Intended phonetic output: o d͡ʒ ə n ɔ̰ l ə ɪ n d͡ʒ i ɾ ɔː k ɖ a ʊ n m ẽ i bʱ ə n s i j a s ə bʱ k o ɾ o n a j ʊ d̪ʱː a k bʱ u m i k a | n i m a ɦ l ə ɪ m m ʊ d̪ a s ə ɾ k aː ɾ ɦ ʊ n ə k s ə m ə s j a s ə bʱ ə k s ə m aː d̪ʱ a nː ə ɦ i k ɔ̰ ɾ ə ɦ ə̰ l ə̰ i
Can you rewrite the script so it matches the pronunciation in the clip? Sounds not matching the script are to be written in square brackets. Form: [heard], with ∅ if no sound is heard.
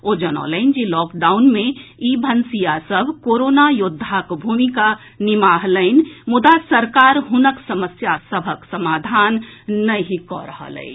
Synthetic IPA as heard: o d͡ʒ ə n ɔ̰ l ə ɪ n d͡ʒ i [l] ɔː k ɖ a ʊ n m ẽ i bʱ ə n s i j a s ə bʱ k o ɾ o n a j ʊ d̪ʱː a k bʱ u m i k a | n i m a ɦ l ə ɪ [n] m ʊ d̪ a s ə ɾ k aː ɾ ɦ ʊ n ə k s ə m ə s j a s ə bʱ ə k s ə m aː d̪ʱ a nː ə ɦ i k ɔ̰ ɾ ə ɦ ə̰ l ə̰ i